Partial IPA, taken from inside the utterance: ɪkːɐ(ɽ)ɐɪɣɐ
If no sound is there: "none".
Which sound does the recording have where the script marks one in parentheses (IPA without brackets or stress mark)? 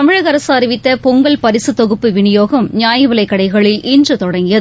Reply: ɽ